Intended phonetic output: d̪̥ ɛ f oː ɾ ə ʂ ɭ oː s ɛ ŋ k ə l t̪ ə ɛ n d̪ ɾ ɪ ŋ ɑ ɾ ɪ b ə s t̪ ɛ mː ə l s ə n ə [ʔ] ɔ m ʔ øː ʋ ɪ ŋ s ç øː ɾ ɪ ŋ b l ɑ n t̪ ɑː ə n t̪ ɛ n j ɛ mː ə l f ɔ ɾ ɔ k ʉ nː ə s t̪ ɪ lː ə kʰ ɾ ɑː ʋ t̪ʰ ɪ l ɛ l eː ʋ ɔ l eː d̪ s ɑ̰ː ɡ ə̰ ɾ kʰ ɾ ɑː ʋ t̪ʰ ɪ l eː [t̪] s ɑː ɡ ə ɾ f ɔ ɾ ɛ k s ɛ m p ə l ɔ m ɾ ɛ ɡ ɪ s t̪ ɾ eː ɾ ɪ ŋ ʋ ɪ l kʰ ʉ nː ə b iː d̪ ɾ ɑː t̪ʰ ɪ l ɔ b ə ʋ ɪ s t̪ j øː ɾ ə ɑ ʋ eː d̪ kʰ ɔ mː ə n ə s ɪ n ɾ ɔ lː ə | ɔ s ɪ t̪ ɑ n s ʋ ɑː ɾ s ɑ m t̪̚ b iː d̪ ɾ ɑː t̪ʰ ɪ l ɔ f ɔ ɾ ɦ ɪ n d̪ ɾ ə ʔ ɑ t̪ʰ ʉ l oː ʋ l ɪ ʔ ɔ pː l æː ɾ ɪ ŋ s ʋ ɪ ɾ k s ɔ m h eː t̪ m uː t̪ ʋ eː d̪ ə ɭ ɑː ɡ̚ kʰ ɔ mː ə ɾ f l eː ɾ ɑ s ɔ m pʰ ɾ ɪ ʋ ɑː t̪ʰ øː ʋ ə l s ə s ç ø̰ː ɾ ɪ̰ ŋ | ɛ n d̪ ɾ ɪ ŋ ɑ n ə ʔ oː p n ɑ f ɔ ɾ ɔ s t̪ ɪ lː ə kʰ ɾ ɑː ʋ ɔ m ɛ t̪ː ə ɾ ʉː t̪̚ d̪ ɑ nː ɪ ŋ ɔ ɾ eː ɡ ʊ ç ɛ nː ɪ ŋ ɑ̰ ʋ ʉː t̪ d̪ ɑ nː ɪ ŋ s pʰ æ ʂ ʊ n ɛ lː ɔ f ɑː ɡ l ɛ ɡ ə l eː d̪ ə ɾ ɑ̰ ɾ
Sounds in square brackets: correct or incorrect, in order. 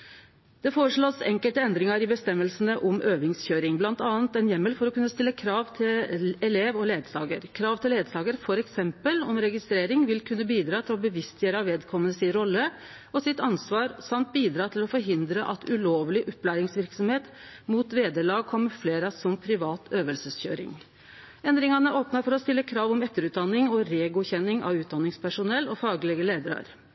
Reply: correct, incorrect: d̪

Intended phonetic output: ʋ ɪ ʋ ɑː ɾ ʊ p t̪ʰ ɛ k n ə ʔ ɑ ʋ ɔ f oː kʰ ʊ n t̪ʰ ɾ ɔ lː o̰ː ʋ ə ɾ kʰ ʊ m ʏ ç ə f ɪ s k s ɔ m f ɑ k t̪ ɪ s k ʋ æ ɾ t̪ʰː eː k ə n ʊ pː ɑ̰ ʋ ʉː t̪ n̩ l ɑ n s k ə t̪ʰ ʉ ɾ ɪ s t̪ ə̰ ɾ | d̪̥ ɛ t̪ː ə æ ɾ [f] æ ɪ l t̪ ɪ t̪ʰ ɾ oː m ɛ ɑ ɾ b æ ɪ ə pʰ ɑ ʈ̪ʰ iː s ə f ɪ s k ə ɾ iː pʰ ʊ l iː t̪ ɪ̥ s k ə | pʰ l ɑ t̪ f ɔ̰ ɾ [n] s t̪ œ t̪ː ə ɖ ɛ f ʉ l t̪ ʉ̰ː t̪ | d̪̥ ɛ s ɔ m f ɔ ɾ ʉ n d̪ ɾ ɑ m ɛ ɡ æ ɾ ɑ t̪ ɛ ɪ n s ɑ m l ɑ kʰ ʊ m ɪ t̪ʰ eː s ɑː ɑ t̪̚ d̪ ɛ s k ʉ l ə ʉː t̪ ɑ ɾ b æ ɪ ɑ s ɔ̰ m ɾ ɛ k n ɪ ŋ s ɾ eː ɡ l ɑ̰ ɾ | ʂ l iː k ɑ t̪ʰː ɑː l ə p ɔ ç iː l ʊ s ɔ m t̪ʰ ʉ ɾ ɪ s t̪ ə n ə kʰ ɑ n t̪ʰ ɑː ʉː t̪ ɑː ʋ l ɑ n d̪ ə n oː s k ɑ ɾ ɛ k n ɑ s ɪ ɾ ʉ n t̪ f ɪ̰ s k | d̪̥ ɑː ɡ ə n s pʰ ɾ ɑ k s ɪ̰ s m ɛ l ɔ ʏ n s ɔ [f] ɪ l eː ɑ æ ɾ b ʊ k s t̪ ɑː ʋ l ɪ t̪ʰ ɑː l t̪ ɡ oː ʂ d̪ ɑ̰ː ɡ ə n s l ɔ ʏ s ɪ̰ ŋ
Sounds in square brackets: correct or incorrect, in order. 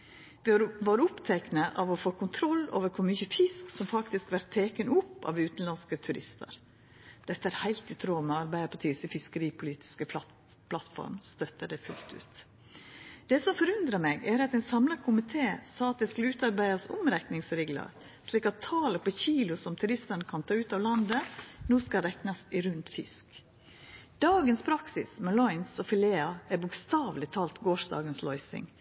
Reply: incorrect: h, incorrect: m, correct

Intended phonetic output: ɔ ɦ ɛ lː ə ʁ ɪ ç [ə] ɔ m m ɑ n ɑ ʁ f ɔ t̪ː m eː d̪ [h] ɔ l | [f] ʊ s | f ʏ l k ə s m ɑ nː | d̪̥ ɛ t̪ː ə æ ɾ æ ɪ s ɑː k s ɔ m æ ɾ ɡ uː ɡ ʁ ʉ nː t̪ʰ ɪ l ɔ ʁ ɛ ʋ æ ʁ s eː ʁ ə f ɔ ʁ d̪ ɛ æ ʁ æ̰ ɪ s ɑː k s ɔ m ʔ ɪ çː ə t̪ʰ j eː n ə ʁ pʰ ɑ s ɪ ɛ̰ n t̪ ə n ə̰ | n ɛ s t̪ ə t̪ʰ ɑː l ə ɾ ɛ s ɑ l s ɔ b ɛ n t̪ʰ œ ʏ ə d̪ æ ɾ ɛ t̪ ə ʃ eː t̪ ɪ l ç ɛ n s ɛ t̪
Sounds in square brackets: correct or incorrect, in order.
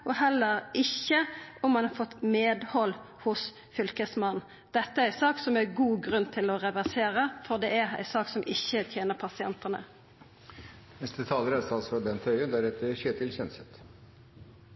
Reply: correct, correct, incorrect: h

